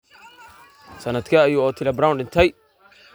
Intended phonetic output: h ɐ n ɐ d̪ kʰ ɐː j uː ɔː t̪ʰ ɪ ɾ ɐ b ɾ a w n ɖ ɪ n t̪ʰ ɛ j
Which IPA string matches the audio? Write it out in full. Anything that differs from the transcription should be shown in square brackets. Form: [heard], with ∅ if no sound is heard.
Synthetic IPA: [s] ɐ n ɐ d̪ kʰ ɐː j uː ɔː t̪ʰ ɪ [l] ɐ b ɾ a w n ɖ ɪ n t̪ʰ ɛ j